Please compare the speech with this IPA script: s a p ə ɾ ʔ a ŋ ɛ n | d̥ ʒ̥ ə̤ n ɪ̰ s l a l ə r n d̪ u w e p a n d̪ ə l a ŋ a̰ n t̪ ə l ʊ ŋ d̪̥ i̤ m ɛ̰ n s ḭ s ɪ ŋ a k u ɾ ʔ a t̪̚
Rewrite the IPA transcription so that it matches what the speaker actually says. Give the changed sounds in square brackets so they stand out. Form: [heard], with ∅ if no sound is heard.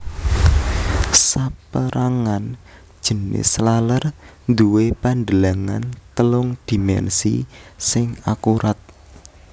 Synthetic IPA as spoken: s a p ə ɾ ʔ a ŋ [a] n | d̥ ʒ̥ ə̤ n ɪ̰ s l a l ə r n d̪ u w e p a n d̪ ə l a ŋ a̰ n t̪ ə l ʊ ŋ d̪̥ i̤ m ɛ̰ n s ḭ s ɪ ŋ a k u ɾ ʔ a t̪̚